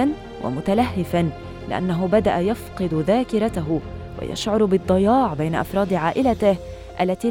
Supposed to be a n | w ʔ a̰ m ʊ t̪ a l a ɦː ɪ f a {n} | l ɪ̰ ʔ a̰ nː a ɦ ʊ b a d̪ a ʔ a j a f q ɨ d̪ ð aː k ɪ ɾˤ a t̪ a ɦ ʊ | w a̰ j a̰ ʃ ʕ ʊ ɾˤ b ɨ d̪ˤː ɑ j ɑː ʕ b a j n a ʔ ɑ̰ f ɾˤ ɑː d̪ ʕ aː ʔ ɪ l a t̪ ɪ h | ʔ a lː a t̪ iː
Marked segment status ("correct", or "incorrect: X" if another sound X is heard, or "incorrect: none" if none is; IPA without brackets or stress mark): correct